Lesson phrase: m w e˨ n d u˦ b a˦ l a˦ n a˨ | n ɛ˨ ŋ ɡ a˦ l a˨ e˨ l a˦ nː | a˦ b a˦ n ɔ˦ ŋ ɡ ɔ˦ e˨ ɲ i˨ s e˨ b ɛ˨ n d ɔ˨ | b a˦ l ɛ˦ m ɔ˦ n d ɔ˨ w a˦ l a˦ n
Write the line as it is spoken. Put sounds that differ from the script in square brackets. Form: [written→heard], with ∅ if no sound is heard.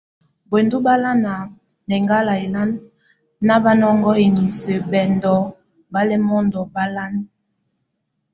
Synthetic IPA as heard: [m→b] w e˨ n d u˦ b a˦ l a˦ n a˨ | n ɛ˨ ŋ ɡ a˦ l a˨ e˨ l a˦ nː | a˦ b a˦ n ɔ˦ ŋ ɡ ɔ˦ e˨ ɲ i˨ s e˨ b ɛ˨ n d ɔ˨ | b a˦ l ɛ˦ m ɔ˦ n d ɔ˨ [w→b] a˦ l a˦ n